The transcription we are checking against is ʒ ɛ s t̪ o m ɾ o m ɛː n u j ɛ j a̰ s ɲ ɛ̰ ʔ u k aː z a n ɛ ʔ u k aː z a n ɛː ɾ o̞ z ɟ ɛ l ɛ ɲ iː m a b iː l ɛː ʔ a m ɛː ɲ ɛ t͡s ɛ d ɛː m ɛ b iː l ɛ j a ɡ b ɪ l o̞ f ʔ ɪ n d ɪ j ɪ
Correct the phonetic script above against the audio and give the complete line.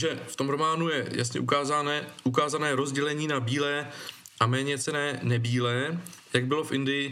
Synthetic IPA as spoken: ʒ ɛ f t̪ o m ɾ o m aː n u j ɛ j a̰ s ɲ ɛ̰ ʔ u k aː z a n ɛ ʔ u k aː z a n ɛː ɾ o̞ z ɟ ɛ l ɛ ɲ iː n a b iː l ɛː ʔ a m ɛː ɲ ɛ t͡s ɛ n ɛː n ɛ b iː l ɛ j a ɡ b ɪ l o̞ f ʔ ɪ n d ɪ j ɪ